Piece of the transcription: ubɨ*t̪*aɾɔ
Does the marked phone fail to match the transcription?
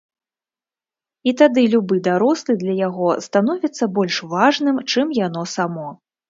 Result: yes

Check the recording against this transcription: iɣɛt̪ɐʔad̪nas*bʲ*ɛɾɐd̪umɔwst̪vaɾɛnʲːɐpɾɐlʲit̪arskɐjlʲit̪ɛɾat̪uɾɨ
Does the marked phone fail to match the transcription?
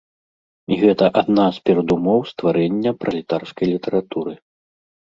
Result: yes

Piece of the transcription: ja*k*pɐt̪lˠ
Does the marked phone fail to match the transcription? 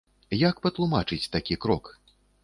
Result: no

